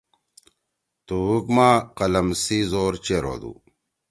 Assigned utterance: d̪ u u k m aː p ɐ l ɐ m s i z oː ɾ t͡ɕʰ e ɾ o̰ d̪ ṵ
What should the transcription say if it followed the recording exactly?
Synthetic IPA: t̪ u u k m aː q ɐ l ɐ m s i z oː ɾ t͡ɕ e ɾ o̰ d̪ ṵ